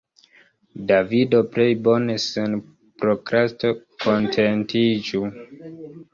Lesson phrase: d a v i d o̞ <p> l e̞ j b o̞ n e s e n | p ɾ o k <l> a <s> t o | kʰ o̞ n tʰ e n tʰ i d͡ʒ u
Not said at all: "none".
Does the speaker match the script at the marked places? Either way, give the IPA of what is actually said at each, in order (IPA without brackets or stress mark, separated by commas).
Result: p, ɾ, s